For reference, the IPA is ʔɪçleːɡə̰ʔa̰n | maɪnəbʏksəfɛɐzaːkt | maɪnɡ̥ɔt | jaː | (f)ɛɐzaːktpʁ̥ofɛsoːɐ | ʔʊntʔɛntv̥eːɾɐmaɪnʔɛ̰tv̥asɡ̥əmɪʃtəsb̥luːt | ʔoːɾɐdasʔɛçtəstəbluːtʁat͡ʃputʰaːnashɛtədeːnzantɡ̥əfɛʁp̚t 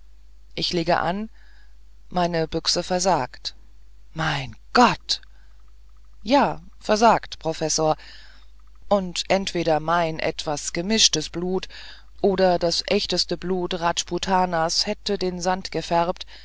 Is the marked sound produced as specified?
yes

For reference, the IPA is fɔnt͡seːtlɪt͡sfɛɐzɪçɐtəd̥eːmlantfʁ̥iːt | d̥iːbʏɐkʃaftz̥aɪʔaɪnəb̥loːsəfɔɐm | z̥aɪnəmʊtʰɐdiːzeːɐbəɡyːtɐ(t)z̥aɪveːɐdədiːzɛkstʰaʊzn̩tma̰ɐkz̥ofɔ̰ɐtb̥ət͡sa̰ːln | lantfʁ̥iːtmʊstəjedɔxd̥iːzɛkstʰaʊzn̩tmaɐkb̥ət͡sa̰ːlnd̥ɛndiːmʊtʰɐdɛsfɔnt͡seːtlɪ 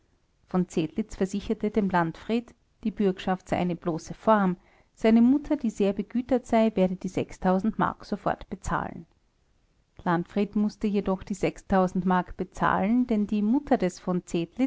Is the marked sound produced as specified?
yes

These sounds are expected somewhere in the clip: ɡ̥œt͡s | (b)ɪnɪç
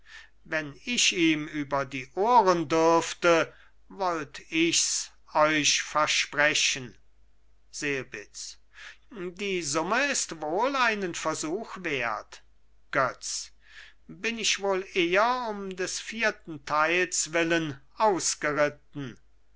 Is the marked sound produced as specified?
yes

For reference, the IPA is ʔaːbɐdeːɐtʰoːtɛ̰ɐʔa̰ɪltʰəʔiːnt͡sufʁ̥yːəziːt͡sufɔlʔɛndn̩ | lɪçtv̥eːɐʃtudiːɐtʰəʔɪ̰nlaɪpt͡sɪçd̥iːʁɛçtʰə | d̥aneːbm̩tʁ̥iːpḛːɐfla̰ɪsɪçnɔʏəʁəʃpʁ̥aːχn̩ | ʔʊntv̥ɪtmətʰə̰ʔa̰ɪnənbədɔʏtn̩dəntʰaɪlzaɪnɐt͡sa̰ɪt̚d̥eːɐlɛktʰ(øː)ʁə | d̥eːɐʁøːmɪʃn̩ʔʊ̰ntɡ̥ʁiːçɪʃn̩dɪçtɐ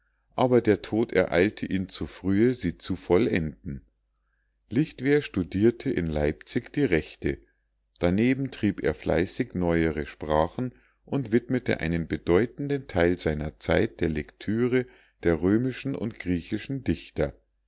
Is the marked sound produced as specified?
no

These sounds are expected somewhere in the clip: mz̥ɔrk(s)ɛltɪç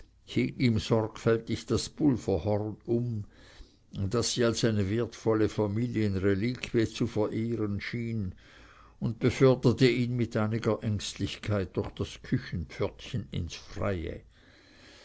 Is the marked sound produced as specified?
no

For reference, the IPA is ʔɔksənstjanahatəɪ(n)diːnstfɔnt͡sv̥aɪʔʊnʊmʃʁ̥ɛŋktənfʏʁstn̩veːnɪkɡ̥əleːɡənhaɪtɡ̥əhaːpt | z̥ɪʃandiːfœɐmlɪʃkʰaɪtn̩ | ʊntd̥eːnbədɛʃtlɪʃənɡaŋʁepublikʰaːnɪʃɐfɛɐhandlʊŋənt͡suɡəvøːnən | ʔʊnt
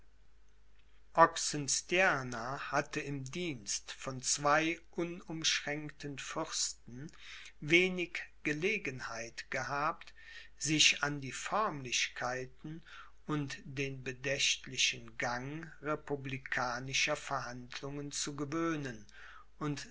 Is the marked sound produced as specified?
no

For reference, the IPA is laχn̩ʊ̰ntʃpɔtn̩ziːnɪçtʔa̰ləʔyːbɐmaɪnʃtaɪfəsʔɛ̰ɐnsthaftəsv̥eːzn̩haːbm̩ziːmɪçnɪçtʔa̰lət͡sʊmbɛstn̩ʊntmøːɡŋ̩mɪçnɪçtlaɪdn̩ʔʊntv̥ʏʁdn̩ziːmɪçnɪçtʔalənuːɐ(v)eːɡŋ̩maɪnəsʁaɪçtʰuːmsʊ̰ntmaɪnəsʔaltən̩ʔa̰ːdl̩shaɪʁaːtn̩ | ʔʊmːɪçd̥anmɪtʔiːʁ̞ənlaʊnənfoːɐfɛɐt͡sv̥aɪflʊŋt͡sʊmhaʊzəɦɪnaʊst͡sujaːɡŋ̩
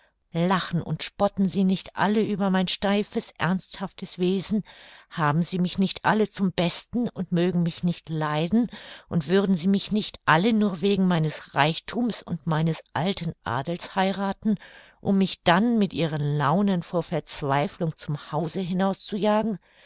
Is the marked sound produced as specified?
yes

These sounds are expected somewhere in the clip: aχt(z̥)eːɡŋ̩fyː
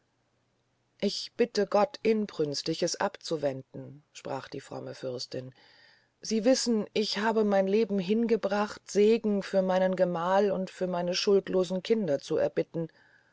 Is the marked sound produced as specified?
yes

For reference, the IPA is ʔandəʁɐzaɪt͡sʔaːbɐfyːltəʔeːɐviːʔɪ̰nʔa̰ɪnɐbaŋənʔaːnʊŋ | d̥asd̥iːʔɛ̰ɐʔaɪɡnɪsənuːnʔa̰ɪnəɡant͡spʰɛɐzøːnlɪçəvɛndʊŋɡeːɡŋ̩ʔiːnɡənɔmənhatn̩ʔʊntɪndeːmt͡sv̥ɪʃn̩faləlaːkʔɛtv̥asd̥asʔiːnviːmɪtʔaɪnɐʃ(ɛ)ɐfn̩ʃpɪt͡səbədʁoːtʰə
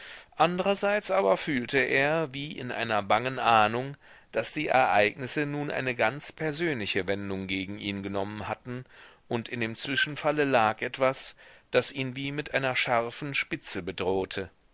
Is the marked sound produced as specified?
no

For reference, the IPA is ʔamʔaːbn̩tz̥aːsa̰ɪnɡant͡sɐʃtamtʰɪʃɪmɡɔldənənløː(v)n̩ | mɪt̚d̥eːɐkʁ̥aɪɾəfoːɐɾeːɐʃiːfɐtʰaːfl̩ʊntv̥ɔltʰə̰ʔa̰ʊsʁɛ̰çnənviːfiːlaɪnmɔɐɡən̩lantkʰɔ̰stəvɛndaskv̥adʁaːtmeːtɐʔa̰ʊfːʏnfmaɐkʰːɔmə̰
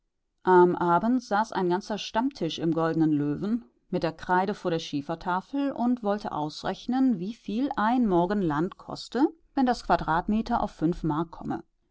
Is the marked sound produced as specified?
yes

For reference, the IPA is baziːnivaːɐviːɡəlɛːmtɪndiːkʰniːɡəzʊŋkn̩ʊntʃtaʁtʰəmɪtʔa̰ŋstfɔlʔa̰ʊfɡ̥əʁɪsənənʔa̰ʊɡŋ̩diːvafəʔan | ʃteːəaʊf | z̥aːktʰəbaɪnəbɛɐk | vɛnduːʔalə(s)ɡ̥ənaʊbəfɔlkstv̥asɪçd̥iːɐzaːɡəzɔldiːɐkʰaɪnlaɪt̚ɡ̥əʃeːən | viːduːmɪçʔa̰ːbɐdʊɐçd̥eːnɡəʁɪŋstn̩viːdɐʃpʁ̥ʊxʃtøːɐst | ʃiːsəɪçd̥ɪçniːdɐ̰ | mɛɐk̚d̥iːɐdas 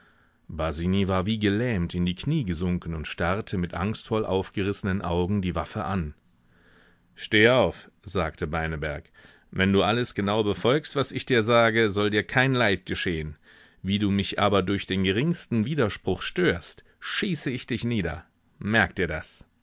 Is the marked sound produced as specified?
yes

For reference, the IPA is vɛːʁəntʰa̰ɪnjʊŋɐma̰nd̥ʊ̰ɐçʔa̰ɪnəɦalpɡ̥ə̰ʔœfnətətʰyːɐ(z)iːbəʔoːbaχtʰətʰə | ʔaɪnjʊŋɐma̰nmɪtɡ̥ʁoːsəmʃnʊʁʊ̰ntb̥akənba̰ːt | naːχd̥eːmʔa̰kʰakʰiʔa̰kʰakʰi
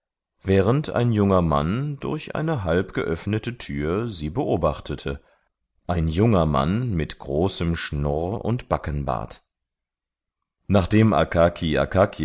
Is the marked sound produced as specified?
yes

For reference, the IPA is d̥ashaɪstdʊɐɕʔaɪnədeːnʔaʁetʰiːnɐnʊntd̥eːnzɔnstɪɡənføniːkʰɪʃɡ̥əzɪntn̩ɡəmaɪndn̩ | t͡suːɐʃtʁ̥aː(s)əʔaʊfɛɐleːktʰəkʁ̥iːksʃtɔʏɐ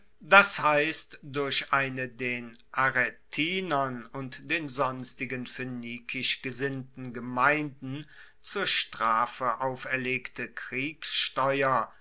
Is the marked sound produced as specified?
no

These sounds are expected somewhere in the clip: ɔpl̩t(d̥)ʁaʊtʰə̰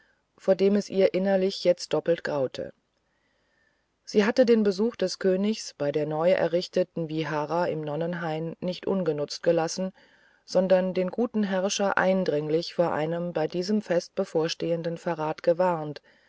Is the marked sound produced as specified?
no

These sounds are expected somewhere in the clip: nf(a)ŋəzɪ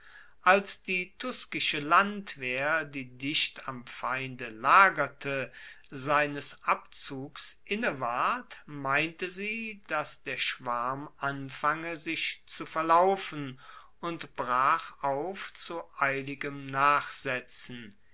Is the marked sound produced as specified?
yes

